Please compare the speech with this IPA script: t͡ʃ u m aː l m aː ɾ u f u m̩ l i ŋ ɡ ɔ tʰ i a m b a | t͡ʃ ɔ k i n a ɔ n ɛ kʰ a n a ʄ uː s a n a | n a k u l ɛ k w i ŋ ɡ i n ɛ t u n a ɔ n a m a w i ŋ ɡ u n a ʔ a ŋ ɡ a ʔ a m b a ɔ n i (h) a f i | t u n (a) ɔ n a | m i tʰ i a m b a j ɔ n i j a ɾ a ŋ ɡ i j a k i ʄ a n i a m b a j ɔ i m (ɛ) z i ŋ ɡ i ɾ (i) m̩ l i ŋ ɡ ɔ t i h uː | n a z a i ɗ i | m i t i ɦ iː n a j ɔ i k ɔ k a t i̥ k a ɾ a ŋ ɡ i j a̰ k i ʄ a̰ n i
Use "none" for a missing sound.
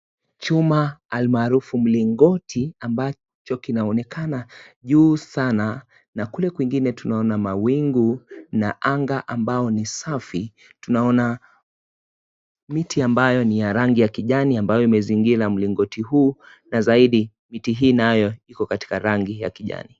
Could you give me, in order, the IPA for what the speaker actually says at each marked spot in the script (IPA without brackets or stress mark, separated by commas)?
s, a, ɛ, a